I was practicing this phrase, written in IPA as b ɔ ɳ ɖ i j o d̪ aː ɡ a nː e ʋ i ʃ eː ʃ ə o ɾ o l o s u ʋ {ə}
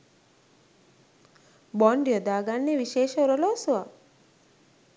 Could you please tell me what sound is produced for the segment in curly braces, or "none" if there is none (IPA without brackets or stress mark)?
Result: a